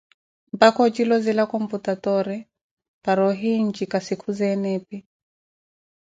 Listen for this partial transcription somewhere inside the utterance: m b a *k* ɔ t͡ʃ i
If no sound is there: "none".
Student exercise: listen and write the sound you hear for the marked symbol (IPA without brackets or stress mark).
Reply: k